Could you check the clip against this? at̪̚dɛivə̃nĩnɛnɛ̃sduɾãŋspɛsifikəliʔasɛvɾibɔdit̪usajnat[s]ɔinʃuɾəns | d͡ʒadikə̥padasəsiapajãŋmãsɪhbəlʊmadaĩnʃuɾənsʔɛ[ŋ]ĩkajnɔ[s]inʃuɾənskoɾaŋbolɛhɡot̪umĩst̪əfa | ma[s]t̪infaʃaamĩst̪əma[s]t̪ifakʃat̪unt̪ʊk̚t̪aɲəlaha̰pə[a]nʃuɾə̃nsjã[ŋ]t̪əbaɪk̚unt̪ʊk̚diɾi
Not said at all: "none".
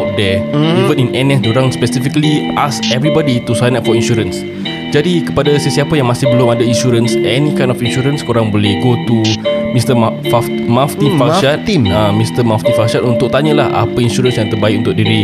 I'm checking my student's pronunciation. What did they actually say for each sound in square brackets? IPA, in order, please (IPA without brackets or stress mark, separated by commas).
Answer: f, n, f, f, f, i, ŋ